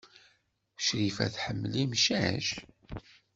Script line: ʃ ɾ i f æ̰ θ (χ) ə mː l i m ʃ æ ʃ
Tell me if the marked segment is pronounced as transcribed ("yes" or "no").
no